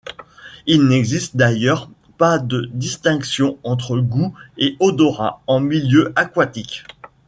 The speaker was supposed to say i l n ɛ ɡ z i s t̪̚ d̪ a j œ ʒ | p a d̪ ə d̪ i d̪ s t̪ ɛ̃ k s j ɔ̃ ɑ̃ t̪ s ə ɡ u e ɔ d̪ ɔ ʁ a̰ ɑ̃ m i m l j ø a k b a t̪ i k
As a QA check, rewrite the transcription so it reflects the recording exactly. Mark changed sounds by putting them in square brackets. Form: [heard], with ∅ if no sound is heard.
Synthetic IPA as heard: i l n ɛ ɡ z i s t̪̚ d̪ a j œ [ʁ] | p a d̪ ə d̪ i [∅] s t̪ ɛ̃ k s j ɔ̃ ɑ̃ t̪ [χ] ə ɡ u e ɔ d̪ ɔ ʁ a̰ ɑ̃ m i [∅] l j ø a k [w] a t̪ i k